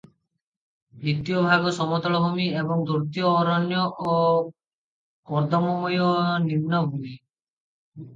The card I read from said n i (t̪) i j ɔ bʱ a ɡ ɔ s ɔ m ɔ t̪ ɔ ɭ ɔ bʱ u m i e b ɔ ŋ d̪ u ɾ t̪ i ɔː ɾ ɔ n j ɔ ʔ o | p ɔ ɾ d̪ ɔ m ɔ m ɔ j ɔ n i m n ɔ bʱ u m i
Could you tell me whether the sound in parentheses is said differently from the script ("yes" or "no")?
no